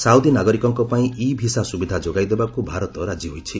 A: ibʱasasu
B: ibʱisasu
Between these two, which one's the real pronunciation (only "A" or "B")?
B